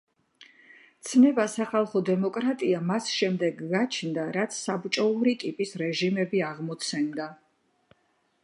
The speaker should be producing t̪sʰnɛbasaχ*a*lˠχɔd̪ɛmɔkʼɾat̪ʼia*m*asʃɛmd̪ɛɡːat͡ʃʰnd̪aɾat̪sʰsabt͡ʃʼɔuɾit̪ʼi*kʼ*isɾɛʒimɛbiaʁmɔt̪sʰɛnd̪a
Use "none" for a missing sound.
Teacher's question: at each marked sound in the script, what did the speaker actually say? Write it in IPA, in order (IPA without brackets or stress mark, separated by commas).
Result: a, m, pʼ